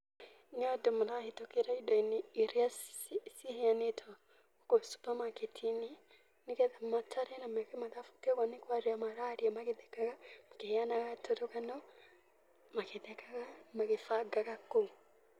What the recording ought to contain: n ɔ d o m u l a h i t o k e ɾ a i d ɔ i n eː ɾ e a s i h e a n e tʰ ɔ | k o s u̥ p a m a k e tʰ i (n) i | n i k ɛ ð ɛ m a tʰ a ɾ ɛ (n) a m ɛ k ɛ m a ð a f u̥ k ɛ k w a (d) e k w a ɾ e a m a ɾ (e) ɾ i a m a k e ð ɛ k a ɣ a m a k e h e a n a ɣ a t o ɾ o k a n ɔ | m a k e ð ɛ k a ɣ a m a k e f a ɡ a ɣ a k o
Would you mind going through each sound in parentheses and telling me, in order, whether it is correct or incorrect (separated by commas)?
correct, correct, incorrect, incorrect